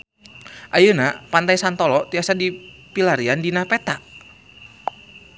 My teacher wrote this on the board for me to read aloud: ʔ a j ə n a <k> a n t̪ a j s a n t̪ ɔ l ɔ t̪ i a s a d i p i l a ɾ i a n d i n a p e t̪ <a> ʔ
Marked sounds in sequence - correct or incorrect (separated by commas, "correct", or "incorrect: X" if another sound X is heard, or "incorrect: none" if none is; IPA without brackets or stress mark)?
incorrect: p, correct